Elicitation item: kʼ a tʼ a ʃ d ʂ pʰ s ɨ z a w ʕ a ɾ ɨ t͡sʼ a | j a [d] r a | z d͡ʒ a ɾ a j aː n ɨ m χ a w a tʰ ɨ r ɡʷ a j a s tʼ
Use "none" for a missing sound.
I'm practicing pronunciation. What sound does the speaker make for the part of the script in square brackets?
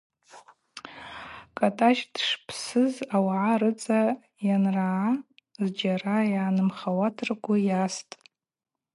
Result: n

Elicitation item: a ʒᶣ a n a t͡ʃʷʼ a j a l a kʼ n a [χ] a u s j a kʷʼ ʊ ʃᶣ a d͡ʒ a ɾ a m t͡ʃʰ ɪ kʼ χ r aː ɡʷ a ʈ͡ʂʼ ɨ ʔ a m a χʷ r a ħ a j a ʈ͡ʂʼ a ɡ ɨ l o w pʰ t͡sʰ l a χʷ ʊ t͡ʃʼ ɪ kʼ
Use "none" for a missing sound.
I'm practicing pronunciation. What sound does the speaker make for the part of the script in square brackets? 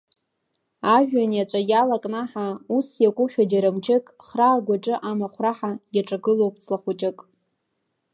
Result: ħ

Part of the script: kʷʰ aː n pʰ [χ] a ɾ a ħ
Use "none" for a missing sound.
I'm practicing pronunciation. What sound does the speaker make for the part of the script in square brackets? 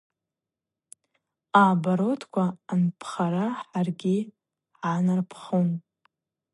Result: χ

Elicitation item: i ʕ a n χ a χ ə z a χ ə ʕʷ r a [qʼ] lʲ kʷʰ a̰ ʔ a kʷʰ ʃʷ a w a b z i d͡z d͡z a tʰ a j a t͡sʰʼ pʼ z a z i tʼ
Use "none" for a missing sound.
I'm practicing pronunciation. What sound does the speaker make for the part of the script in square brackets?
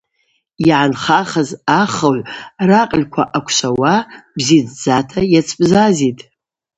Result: qʼ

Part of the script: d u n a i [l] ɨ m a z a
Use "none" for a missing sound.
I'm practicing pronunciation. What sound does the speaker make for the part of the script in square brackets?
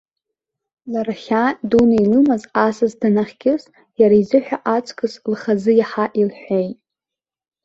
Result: l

